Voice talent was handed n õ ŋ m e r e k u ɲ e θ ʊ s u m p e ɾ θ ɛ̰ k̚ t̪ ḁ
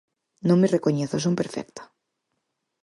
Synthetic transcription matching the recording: n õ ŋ m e r e k o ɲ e θ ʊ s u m p e ɾ f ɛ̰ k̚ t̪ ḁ